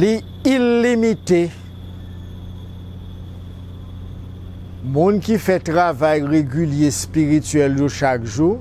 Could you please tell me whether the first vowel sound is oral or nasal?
oral